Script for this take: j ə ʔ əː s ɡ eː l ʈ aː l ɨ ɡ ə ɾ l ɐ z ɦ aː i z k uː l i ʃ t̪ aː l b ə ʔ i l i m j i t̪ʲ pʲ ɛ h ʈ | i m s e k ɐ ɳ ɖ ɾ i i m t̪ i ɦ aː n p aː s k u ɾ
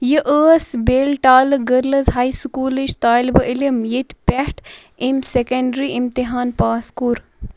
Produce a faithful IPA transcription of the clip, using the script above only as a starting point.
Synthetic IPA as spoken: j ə ʔ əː s b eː l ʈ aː l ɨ ɡ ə ɾ l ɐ z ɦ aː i s k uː l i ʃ t̪ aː l b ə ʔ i l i m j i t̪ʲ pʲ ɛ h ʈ | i m s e k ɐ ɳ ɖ ɾ i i m t̪ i ɦ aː n p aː s k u ɾ